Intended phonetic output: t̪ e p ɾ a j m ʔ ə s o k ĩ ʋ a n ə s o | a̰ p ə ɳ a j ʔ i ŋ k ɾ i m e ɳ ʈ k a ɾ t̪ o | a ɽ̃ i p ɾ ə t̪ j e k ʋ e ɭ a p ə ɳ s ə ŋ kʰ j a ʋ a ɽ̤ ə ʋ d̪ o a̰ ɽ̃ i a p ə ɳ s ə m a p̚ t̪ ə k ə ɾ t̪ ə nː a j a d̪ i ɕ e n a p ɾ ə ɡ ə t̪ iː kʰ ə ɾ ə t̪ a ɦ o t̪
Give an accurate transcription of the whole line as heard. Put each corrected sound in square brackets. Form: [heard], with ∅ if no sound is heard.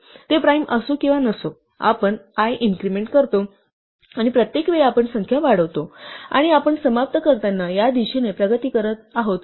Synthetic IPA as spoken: t̪ e p ɾ a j m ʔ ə s o k ĩ ʋ a n ə s o | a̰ p ə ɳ a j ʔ i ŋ k ɾ i m e ɳ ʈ k [ə] ɾ t̪ o | a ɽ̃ i p ɾ ə t̪ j e k ʋ e ɭ a p ə ɳ s ə ŋ kʰ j a ʋ a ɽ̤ ə ʋ [t̪] o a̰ ɽ̃ i a p ə ɳ s ə m a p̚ t̪ ə k ə ɾ t̪ [a] nː a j a d̪ i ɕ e n [e] p ɾ ə ɡ ə t̪ iː [k] ə ɾ ə t̪ a ɦ o t̪